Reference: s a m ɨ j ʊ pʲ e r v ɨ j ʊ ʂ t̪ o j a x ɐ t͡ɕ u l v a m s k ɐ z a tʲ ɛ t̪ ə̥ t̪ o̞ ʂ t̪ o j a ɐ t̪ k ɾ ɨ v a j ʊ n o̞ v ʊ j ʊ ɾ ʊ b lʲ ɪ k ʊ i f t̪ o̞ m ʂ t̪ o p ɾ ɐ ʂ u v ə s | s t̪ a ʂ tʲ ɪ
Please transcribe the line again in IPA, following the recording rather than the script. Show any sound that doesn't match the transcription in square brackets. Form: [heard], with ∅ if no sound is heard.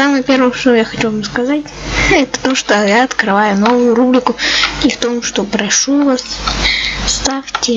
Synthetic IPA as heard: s a m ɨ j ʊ pʲ e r v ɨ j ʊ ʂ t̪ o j a x ɐ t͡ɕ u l v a m s k ɐ z a tʲ ɛ t̪ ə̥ t̪ o̞ ʂ t̪ o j a ɐ t̪ k ɾ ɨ v a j ʊ n o̞ v ʊ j ʊ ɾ [u] b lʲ ɪ k ʊ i f t̪ o̞ m ʂ t̪ o p ɾ ɐ ʂ u v [a] s | s t̪ a [f] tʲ ɪ